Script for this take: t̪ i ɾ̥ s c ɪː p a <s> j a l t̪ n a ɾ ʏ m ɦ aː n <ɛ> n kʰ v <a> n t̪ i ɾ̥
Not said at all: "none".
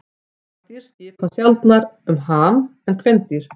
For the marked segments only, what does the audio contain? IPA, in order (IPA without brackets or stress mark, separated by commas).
s, ɛ, ɛ